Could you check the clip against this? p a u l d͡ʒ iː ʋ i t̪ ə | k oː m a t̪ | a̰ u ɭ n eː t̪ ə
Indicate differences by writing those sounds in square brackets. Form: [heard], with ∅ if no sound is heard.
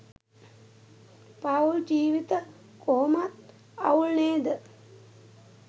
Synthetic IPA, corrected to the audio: p a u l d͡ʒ iː ʋ i t̪ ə | k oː m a t̪ | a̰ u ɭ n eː [d̪] ə